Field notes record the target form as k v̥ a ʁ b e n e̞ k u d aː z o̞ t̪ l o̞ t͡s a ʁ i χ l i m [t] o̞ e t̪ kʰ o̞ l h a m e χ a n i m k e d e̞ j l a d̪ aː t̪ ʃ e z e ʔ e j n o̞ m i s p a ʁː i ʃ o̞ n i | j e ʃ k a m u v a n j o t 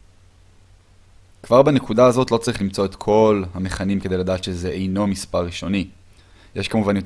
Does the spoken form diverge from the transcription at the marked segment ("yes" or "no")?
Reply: yes